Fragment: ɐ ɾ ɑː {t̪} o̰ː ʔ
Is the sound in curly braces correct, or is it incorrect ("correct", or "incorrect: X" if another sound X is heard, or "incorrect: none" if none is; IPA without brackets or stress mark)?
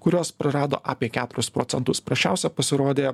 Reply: incorrect: d̪